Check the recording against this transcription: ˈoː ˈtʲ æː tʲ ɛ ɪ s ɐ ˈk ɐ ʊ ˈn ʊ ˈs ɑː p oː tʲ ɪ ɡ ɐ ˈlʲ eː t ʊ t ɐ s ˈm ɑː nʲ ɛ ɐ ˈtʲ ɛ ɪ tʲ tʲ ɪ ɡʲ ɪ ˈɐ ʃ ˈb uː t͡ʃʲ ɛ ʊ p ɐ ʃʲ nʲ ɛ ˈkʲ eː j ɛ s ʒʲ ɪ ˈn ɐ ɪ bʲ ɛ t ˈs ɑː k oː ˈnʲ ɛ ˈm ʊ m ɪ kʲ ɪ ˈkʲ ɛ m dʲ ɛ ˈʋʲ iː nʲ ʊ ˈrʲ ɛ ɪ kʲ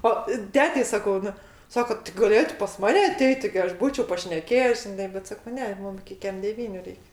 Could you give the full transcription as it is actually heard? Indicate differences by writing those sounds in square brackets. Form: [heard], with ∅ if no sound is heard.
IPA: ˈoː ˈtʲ æː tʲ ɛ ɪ s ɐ ˈk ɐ ʊ ˈn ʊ ˈs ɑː [k] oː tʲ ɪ ɡ ɐ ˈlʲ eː t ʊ [p] ɐ s ˈm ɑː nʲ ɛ ɐ ˈtʲ ɛ ɪ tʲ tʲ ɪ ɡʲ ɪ ˈɐ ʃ ˈb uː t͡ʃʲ ɛ ʊ p ɐ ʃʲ nʲ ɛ ˈkʲ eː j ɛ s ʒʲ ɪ ˈn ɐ ɪ bʲ ɛ t ˈs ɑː k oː ˈnʲ ɛ ˈm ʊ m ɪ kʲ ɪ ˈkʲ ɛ m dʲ ɛ ˈʋʲ iː nʲ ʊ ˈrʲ ɛ ɪ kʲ

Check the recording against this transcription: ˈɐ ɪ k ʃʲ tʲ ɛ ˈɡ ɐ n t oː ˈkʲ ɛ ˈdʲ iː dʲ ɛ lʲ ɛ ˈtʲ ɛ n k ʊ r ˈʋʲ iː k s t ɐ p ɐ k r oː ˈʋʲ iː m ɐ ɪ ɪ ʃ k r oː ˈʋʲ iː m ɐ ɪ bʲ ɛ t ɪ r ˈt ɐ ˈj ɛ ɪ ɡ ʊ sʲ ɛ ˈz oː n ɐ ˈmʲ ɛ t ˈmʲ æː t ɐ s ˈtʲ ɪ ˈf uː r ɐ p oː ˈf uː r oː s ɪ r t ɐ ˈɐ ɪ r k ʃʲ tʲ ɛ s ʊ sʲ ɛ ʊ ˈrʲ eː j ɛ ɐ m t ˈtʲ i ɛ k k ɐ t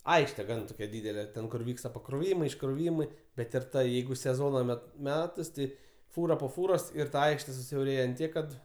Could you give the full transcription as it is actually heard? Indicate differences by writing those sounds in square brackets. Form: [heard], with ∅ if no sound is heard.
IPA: ˈɐ ɪ k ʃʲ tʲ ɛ ˈɡ ɐ n t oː ˈkʲ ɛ ˈdʲ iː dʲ ɛ lʲ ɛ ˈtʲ ɛ n k ʊ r ˈʋʲ iː k s t ɐ p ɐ k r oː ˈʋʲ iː m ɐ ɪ ɪ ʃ k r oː ˈʋʲ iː m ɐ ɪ bʲ ɛ t ɪ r ˈt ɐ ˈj ɛ ɪ ɡ ʊ sʲ ɛ ˈz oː n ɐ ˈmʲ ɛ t ˈmʲ æː t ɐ s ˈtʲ ɪ ˈf uː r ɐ p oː ˈf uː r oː s ɪ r t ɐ ˈɐ ɪ [∅] k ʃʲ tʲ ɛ s ʊ sʲ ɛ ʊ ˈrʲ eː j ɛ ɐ [n] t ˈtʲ i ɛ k k ɐ t

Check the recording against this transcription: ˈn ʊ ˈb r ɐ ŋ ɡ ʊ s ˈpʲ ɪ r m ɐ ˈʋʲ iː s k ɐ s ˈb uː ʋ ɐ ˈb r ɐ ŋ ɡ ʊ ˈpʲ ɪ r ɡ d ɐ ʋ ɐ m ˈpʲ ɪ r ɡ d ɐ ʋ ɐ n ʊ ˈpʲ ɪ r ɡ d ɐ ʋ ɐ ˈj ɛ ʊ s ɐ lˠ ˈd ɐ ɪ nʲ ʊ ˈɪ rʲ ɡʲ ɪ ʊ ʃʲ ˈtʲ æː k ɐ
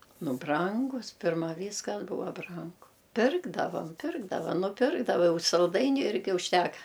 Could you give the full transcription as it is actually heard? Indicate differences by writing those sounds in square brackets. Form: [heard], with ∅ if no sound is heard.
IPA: ˈn ʊ ˈb r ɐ ŋ ɡ ʊ s ˈpʲ ɪ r m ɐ ˈʋʲ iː s k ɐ s ˈb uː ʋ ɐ ˈb r ɐ ŋ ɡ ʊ ˈpʲ ɪ r ɡ d ɐ ʋ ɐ m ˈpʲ ɪ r ɡ d ɐ ʋ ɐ n ʊ ˈpʲ ɪ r ɡ d ɐ ʋ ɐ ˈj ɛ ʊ s ɐ lˠ ˈd ɐ ɪ nʲ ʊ ˈɪ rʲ ɡʲ ɪ ʊ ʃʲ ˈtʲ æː k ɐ

